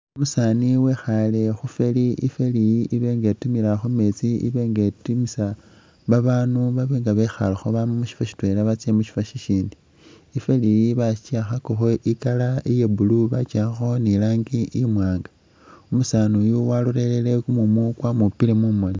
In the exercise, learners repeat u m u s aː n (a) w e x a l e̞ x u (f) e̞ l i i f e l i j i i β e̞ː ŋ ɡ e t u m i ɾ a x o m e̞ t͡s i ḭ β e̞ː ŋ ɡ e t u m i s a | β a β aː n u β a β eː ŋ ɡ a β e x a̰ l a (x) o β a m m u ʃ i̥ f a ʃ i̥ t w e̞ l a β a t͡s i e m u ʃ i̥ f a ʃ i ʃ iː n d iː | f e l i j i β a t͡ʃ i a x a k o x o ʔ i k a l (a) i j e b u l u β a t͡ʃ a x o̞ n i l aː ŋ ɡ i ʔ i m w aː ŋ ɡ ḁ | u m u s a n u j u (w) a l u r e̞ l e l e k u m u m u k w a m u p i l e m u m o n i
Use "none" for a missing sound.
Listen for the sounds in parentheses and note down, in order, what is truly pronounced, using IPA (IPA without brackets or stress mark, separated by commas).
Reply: i, f, x, a, w